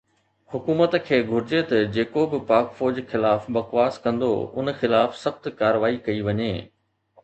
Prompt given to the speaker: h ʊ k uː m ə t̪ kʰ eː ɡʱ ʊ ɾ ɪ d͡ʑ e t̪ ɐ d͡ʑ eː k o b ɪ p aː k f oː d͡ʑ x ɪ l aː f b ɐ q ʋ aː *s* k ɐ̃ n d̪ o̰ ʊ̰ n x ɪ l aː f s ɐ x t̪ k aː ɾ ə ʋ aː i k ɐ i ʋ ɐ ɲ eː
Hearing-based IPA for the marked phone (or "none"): s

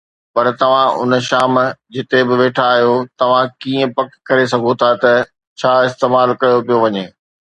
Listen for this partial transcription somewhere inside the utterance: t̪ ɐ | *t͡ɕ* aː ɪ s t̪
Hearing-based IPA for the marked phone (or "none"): t͡ɕʰ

